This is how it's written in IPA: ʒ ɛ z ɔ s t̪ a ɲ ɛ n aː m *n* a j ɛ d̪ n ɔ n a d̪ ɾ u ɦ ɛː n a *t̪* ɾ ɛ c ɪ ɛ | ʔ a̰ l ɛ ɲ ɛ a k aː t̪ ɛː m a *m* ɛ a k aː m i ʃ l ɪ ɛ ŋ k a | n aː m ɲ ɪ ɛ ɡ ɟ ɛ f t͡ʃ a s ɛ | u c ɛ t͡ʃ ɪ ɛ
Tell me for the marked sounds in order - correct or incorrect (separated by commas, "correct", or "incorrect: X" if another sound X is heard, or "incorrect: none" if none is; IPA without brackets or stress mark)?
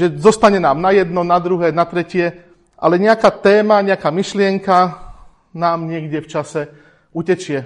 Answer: correct, correct, incorrect: ɲ